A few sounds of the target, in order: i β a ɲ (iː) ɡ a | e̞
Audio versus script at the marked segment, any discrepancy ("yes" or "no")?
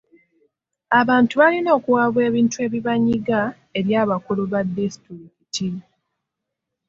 yes